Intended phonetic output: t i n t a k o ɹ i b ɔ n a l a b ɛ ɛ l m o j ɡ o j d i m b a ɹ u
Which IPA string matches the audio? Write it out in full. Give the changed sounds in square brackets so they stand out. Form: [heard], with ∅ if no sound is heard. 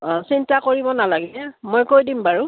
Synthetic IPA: [s] i n t a k o ɹ i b ɔ n a l a [ɡ] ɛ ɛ [∅] m o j [k] o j d i m b a ɹ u